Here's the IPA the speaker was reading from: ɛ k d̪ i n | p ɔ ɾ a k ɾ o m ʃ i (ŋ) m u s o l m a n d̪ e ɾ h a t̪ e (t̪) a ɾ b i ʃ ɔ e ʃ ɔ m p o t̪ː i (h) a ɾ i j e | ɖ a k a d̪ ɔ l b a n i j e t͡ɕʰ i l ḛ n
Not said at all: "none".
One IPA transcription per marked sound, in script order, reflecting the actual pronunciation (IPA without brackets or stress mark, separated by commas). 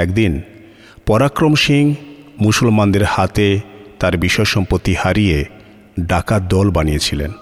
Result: ŋ, t̪, h